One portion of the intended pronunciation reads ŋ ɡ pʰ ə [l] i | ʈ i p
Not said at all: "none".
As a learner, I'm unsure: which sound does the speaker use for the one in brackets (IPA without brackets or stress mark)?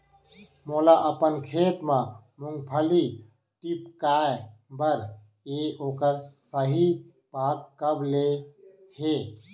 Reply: l